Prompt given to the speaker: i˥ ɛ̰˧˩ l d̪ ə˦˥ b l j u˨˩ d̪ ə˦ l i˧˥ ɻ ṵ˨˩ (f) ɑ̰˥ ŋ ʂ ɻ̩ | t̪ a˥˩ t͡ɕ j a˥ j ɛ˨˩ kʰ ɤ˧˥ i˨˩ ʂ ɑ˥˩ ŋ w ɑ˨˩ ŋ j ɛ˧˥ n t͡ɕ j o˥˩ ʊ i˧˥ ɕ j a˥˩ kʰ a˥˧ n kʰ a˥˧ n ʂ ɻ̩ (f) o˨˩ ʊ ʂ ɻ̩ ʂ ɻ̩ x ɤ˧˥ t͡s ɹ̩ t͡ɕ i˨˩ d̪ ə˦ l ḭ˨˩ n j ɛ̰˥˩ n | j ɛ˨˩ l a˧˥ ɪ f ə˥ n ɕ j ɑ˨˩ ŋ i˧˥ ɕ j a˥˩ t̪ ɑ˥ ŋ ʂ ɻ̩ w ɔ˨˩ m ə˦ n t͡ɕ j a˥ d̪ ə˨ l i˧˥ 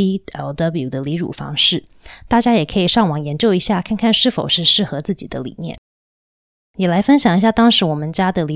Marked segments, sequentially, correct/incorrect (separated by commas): correct, correct